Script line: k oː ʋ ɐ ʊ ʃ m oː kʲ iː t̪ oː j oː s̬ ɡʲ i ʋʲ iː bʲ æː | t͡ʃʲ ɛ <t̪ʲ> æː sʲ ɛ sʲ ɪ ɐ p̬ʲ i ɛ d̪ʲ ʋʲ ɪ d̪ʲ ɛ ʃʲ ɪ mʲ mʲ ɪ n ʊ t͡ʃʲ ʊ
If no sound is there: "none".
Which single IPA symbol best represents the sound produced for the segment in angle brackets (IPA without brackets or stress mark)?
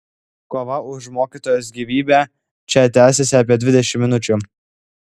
t̪ʲ